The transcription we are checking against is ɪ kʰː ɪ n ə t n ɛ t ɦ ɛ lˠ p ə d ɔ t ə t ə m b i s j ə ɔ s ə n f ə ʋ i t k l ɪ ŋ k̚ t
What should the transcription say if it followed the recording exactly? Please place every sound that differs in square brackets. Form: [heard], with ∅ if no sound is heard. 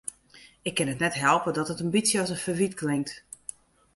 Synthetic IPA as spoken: ɪ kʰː ɪ n ə t n ɛ t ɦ ɛ lˠ p ə d ɔ t ə t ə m b i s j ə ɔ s ə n f ə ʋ i t k l ɪ ŋ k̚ t